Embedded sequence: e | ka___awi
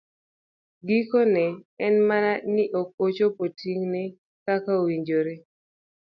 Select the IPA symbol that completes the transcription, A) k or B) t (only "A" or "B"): A